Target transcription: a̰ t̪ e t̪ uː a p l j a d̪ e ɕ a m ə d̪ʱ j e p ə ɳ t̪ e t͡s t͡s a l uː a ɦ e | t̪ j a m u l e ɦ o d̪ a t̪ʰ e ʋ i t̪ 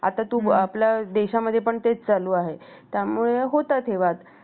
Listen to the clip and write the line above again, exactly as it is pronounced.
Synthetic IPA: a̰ t̪ a t̪ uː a p l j a d̪ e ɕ a m ə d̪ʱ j e p ə ɳ t̪ e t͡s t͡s a l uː a ɦ e | t̪ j a m u ɭ e ɦ o t̪ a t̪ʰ e ʋ a t̪